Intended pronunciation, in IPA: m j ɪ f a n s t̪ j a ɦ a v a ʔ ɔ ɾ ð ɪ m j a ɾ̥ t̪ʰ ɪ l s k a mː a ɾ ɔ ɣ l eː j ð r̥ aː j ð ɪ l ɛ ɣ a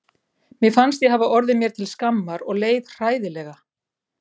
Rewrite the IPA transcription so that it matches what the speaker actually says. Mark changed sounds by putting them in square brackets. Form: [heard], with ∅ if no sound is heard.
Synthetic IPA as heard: m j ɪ f a n s t̪ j [ɛ] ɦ a v a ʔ ɔ ɾ ð ɪ m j [ɛ] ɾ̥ t̪ʰ ɪ l s k a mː a ɾ ɔ ɣ l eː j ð r̥ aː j ð ɪ l ɛ ɣ a